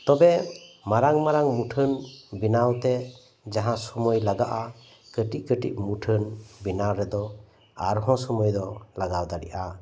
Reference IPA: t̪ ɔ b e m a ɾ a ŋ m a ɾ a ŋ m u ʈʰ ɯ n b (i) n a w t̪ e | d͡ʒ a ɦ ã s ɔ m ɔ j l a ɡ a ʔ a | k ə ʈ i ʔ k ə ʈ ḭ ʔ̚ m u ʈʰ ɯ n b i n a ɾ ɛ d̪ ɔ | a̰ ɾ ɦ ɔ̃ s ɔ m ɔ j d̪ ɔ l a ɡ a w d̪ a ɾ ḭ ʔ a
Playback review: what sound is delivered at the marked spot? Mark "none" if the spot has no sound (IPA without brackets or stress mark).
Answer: i